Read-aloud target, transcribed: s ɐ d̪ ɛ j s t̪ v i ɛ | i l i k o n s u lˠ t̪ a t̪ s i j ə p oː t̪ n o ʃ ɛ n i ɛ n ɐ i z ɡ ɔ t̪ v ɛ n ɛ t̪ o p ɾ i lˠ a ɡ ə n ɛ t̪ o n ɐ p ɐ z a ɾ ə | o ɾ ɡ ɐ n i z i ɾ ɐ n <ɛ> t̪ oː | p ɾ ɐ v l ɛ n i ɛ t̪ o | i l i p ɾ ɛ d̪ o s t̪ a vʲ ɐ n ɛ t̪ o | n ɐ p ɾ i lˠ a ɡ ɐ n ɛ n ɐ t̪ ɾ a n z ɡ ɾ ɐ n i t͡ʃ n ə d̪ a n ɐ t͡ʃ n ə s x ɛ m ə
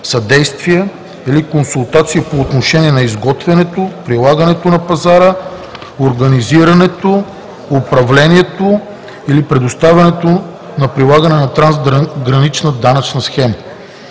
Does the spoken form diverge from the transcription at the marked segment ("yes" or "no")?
no